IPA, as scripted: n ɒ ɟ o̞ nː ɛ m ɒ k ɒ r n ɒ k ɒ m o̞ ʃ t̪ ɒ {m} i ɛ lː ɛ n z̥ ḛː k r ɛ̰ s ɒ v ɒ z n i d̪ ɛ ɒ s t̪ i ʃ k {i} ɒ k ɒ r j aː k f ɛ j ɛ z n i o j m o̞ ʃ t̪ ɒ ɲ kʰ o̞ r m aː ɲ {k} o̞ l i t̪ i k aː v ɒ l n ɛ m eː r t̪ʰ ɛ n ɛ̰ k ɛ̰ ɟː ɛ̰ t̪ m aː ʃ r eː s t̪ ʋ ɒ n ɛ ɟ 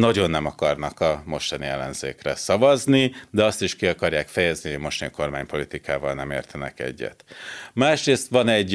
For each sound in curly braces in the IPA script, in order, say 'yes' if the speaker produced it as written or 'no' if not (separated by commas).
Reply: no, yes, no